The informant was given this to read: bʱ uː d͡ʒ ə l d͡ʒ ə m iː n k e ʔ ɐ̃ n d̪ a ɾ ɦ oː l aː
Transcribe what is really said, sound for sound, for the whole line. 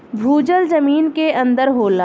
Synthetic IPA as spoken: bʱ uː d͡ʒ ə l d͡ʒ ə m iː n k e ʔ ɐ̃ n d̪ ə ɾ ɦ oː l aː

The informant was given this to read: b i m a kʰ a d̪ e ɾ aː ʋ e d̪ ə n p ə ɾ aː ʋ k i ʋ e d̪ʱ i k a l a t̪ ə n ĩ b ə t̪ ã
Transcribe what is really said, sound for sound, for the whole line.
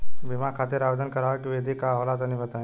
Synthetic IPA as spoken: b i m a kʰ a t̪ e ɾ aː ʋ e d̪ ə n k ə ɾ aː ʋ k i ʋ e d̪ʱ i k a l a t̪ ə n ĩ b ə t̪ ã

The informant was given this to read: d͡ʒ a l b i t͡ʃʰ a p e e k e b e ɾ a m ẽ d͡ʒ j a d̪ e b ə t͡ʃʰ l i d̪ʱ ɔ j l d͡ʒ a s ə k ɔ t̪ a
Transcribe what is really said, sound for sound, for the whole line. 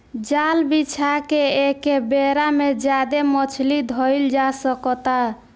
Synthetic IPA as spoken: d͡ʒ a l b i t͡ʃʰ a k e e k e b e ɾ a m e d͡ʒ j a d̪ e m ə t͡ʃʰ l i d̪ʱ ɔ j l d͡ʒ a s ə k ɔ t̪ a

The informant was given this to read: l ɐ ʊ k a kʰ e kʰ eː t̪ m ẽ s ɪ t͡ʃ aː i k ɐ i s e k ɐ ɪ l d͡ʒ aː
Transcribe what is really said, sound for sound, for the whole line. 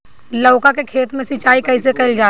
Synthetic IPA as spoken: l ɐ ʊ k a k e kʰ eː t̪ m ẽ s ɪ t͡ʃ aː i k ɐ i s e k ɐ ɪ l d͡ʒ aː

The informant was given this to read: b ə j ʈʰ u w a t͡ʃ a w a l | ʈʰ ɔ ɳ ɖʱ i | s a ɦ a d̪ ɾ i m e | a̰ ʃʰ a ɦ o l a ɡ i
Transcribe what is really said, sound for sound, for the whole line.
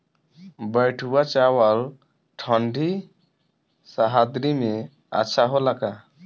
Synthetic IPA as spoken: b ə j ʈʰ u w a t͡ʃ a w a l | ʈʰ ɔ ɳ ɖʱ i | s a ɦ a d̪ ɾ i m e | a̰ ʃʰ a ɦ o l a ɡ a

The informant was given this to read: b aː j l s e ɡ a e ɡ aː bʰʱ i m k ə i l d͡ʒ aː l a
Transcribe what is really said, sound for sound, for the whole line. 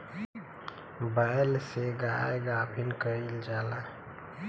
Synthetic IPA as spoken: b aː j l s e ɡ a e ɡ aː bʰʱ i n k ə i l d͡ʒ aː l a

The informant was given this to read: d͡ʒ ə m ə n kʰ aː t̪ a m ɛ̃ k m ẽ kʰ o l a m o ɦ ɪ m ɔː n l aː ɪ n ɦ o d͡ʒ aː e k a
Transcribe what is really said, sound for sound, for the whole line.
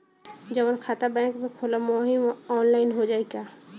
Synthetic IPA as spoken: d͡ʒ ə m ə n kʰ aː t̪ a b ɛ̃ k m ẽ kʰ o l a m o ɦ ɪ m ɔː n l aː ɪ n ɦ o d͡ʒ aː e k a

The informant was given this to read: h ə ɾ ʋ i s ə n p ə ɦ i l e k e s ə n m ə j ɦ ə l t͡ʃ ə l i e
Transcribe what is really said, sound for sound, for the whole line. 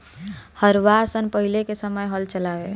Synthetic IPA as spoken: h ə ɾ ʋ a s ə n p ə ɦ i l e k e s ə m ə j ɦ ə l t͡ʃ ə l a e

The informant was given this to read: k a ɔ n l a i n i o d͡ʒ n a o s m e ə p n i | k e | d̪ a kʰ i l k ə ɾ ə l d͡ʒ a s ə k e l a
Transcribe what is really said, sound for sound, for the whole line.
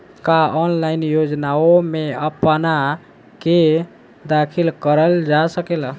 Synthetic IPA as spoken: k a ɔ n l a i n j o d͡ʒ n a o m e ə p n a | k e | d̪ a kʰ i l k ə ɾ ə l d͡ʒ a s ə k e l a

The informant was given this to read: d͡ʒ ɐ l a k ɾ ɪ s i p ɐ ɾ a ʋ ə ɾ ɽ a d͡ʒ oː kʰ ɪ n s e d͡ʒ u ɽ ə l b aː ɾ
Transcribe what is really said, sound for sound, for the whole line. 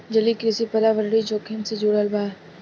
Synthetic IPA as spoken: d͡ʒ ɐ l i k ɾ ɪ s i p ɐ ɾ a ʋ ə ɾ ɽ i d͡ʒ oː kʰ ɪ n s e d͡ʒ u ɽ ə l b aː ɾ

